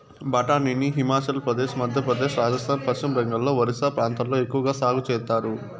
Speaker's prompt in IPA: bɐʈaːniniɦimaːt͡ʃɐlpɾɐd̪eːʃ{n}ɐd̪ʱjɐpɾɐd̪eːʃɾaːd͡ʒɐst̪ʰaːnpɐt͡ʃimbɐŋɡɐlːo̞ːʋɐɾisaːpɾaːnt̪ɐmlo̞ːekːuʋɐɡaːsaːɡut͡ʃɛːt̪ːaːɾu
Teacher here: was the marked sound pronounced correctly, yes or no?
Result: no